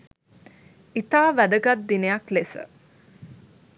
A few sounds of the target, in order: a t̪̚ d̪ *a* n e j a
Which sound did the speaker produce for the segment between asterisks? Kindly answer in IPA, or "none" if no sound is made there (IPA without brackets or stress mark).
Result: i